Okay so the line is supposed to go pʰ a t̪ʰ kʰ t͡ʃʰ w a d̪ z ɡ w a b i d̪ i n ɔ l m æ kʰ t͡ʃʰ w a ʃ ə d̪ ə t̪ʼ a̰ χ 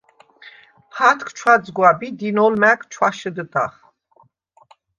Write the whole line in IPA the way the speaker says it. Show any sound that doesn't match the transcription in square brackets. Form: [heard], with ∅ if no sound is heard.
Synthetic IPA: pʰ a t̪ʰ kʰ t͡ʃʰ w a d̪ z ɡ w a b i d̪ i n ɔ l m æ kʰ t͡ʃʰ w a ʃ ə d̪ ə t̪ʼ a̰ χ